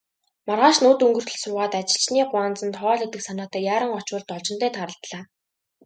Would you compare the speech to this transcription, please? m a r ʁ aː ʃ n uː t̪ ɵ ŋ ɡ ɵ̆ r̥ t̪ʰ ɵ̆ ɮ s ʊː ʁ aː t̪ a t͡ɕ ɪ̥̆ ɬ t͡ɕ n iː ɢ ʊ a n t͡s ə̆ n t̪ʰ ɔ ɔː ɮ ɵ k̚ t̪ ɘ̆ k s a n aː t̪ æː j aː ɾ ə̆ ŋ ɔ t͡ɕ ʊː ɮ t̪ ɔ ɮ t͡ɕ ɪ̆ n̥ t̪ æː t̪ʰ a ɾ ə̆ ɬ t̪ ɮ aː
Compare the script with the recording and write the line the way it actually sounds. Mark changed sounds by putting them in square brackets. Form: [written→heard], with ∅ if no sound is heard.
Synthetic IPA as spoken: m a r ʁ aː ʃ n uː t̪ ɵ ŋ ɡ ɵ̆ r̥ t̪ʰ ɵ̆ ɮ s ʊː ʁ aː t̪ a t͡ɕ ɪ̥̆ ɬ t͡ɕ n iː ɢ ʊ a n t͡s ə̆ n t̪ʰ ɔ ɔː ɮ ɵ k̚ t̪ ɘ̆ k s a n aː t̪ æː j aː ɾ ə̆ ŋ ɔ t͡ɕ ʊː ɮ t̪ ɔ ɮ t͡ɕ ɪ̆ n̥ t̪ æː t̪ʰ a ɾ ə̆ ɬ t̪ ɮ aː

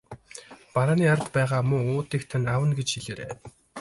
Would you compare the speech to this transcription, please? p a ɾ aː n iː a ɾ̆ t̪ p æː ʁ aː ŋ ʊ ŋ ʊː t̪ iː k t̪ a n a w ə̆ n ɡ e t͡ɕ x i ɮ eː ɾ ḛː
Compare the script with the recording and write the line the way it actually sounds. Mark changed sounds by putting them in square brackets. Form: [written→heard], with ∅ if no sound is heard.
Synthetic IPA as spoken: p a ɾ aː n iː a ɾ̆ t̪ p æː ʁ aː [ŋ→m] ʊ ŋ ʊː t̪ iː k [t̪→t̪ʰ] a n a w ə̆ n ɡ e t͡ɕ x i ɮ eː ɾ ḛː

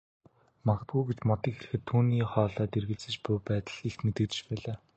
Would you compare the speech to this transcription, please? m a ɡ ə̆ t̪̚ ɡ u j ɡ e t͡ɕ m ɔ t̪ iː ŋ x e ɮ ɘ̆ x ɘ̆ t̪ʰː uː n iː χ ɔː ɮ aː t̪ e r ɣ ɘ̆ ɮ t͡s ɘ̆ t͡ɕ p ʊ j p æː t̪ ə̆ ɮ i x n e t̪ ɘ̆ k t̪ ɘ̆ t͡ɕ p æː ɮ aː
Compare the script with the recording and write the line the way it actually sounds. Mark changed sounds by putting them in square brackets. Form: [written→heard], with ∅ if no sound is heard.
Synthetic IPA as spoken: m a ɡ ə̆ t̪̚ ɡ u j ɡ e t͡ɕ m ɔ t̪ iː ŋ x e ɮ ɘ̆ x ɘ̆ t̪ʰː uː n iː χ ɔː ɮ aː t̪ e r ɣ ɘ̆ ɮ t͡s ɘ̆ t͡ɕ p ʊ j p æː t̪ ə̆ ɮ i x [n→m] e t̪ ɘ̆ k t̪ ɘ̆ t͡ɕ p æː ɮ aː

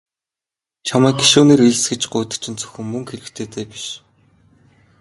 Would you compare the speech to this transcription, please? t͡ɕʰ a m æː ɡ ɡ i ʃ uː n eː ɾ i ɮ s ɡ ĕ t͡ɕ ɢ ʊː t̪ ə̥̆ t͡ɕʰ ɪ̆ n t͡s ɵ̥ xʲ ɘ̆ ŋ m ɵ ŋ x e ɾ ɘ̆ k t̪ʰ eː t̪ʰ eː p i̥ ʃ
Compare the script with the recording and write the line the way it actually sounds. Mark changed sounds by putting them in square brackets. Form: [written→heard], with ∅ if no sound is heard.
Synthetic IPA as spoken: t͡ɕʰ a m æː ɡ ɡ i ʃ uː n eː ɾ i ɮ s ɡ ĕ t͡ɕ ɢ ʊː t̪ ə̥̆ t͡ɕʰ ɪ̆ n t͡s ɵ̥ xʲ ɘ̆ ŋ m ɵ ŋ x e ɾ ɘ̆ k t̪ʰ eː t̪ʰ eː p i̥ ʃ

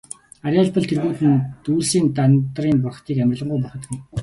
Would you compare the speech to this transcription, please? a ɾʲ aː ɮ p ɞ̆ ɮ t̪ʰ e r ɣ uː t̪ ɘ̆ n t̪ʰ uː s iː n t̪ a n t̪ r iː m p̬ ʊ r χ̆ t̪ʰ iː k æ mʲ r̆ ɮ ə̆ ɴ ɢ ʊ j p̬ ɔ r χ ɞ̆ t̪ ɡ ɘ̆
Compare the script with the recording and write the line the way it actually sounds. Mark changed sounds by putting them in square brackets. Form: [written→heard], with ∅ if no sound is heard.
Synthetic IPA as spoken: a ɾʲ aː ɮ p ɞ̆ ɮ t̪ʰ e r ɣ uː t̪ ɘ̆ n [t̪ʰ→t̪] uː s iː n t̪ a n t̪ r iː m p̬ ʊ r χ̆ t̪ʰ iː k æ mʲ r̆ ɮ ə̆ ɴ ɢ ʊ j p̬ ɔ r χ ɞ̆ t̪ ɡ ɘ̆

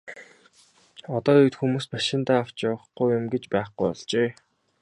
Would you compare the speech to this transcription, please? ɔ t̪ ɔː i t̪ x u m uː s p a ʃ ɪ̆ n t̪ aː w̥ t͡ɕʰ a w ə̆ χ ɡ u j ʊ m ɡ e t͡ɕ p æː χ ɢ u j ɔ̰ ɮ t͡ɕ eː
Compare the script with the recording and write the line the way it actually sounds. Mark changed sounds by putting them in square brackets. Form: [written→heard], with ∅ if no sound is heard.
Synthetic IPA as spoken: ɔ t̪ ɔː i t̪ x u m uː s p a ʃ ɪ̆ n t̪ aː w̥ [t͡ɕʰ→t͡ɕ] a w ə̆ χ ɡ u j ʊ m ɡ e t͡ɕ p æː χ [ɢ→ɡ] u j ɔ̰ ɮ t͡ɕ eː

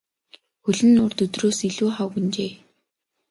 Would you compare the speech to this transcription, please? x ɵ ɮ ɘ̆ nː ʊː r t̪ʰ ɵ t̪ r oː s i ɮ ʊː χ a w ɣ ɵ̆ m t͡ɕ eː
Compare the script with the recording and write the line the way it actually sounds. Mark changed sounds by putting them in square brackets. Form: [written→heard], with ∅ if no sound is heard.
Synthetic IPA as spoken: x ɵ ɮ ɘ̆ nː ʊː r [t̪ʰ→t̪] ɵ t̪ r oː s i ɮ [ʊː→uː] χ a w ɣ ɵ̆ [m→n] t͡ɕ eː

